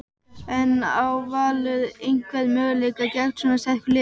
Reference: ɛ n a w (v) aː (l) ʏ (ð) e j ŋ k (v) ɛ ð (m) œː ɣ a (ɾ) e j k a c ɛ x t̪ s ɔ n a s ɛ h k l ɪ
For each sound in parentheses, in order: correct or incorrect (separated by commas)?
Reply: correct, correct, correct, correct, correct, incorrect